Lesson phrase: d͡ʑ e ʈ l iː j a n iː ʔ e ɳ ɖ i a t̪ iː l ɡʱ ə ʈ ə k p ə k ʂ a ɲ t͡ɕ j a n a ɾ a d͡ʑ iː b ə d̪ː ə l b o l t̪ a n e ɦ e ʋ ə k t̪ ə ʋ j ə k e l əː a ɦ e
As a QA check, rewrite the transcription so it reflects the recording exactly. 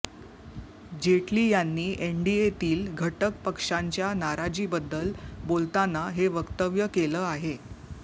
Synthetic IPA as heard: d͡ʑ e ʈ l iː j a nː iː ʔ e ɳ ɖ i e t̪ iː l ɡʱ ə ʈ ə k p ə k ʂ a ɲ t͡ɕ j a n a ɾ a d͡ʑ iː b ə d̪ː ə l b o l t̪ a n a ɦ e ʋ ə k t̪ ə ʋ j ə k e l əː a ɦ e